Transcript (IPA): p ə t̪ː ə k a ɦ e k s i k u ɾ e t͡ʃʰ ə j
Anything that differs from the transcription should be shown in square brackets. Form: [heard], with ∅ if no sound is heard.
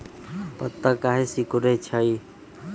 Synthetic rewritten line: p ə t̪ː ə k a ɦ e [∅] s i k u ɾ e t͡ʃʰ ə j